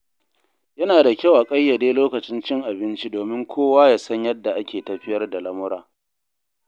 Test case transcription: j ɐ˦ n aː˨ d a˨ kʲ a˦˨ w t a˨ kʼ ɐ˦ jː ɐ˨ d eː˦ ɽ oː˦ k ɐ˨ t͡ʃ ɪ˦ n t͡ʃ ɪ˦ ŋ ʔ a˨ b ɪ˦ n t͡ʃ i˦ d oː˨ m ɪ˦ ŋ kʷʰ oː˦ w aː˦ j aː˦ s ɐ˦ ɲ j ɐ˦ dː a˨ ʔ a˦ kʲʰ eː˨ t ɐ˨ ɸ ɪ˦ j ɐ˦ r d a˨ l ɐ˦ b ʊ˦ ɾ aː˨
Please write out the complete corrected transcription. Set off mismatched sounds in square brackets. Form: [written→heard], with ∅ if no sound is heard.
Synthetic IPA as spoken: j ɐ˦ n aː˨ d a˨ kʲ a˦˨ w [t→ʔ] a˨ kʼ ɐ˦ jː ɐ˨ d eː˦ [ɽ→l] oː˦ k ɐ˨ t͡ʃ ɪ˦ n t͡ʃ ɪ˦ ŋ ʔ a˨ b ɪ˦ n t͡ʃ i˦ d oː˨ m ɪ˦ ŋ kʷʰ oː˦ w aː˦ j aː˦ s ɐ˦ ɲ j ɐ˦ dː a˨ ʔ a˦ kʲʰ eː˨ t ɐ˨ ɸ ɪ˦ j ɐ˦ r d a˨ l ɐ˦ [b→m] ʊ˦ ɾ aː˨